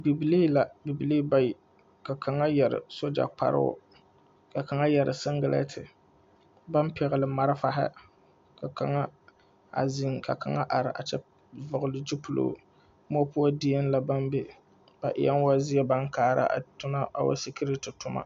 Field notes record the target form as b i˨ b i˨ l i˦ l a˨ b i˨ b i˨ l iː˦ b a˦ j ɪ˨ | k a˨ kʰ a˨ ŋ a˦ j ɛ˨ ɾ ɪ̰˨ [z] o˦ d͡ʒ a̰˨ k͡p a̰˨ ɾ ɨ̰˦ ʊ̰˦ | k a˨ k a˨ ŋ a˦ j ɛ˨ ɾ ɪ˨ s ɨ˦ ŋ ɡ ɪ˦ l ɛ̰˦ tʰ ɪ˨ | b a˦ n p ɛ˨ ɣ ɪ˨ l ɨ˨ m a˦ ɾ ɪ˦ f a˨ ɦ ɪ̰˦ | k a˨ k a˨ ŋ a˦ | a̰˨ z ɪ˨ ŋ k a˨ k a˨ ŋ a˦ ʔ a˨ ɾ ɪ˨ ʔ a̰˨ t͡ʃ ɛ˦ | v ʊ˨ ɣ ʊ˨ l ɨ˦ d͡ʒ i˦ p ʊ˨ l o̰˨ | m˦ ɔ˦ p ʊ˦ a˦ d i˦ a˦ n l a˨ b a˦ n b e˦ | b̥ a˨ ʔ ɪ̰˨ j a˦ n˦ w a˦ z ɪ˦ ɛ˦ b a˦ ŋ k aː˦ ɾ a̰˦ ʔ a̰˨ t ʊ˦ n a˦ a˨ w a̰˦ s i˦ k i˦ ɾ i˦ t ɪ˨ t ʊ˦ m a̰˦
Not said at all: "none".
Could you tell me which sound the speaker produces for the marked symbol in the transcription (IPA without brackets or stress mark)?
s